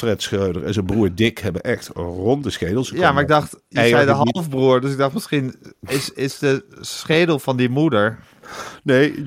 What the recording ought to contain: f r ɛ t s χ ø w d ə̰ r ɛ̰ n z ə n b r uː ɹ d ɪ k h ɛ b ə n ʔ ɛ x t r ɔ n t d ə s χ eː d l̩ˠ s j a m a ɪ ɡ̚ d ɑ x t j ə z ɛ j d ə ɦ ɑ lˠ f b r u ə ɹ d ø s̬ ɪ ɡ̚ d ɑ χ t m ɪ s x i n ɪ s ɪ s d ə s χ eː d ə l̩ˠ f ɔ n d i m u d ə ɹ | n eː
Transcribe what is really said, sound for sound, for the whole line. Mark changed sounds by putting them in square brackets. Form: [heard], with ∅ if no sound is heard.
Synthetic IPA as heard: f r ɛ t s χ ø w d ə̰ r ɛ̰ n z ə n b r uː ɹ d ɪ k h ɛ b ə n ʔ ɛ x t r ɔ n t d ə s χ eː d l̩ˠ s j a m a ɪ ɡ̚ d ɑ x t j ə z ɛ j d ə ɦ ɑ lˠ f b r u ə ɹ d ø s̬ ɪ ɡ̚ d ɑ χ t m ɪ s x i n ɪ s ɪ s d ə s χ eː d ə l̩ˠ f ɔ n d i m u d ə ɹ | n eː